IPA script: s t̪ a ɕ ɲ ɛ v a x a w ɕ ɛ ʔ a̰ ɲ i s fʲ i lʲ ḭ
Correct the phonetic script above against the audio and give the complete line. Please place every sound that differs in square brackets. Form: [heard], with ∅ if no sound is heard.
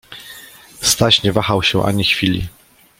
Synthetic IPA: s t̪ a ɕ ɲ ɛ v a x a w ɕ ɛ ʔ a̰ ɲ i [x] fʲ i lʲ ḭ